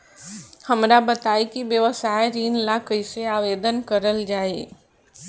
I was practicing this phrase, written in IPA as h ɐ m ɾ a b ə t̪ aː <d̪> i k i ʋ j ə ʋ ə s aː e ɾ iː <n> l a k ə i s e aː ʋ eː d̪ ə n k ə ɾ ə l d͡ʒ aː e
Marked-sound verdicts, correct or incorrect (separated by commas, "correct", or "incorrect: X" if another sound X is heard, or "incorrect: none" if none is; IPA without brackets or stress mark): incorrect: none, correct